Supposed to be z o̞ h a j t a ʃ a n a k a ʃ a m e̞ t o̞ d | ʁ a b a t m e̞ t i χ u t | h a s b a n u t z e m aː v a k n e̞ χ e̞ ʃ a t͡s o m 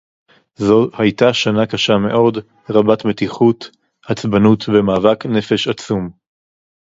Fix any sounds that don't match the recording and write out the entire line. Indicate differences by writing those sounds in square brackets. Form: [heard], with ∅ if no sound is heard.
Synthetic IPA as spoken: z o̞ h a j t a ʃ a n a k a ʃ a m e̞ [ʔ] o̞ d | ʁ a b a t m e̞ t i χ u t | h a [t͡s] b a n u t [v] e m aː v a k n e̞ [f] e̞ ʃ a t͡s [u] m